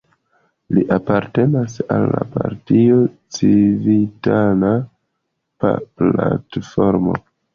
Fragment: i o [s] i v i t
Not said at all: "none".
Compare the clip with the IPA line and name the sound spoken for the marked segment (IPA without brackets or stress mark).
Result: t͡s